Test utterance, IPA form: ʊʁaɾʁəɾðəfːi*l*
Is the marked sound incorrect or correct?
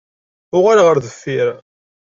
incorrect